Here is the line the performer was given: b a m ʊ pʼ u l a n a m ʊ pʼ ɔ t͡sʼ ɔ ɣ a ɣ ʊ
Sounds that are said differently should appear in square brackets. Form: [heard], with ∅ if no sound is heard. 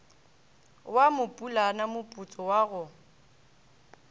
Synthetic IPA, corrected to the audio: [w] a m ʊ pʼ u l a n a m ʊ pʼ [u] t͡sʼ ɔ [w] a ɣ ʊ